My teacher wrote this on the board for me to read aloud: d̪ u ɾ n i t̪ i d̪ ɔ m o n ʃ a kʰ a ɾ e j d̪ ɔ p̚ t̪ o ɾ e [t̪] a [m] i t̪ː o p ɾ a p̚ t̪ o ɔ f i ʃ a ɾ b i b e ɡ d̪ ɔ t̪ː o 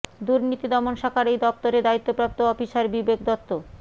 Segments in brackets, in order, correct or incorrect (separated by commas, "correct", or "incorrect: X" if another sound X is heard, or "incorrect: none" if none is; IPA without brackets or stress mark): incorrect: d̪, incorrect: none